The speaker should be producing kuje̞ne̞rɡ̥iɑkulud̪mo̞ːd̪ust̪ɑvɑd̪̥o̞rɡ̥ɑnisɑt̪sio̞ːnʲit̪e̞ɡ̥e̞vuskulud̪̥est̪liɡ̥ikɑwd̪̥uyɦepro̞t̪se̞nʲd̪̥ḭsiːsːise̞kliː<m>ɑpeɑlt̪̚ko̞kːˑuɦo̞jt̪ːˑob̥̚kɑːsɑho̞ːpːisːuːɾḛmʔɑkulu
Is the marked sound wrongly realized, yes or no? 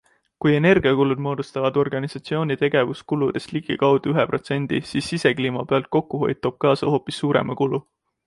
no